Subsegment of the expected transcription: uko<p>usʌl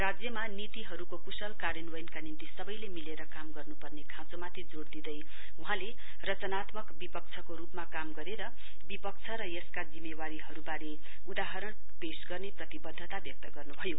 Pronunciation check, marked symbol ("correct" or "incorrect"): incorrect